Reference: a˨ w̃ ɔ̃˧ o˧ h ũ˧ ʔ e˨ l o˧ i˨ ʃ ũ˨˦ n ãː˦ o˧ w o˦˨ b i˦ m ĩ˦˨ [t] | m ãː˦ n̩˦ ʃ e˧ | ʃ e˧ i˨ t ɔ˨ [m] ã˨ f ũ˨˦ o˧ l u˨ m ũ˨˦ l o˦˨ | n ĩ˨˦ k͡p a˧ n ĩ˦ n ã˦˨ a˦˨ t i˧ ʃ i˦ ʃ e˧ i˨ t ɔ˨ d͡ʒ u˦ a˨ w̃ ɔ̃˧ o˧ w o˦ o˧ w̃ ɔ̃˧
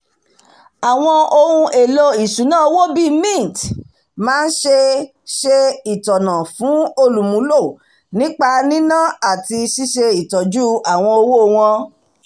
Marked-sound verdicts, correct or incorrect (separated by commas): correct, incorrect